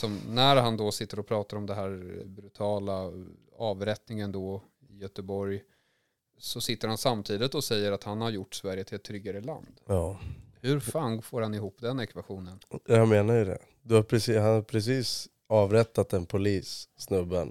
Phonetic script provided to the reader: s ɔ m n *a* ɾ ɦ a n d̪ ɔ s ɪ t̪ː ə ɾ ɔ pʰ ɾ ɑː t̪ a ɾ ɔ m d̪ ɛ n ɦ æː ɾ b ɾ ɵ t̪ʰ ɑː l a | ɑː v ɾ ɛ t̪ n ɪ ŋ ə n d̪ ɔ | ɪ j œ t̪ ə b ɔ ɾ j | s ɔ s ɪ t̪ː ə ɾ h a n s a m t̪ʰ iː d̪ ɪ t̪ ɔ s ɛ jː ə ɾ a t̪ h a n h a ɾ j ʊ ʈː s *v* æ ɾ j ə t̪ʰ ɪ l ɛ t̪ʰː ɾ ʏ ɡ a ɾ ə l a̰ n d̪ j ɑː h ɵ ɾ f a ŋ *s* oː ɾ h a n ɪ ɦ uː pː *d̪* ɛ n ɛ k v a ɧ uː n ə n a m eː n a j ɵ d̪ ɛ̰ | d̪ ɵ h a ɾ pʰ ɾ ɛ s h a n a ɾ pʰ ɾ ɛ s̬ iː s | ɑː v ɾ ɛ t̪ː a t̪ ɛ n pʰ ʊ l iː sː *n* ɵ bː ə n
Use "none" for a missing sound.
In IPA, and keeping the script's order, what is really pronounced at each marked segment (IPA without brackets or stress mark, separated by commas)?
æ, v, f, d̪, n